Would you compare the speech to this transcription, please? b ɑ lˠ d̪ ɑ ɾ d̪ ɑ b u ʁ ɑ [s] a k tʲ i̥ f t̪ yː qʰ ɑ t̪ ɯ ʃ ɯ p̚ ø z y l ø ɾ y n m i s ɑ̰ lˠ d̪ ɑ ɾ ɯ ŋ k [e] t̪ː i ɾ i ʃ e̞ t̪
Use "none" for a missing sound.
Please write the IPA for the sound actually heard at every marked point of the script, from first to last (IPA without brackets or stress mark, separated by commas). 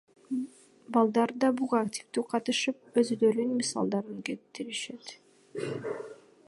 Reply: none, e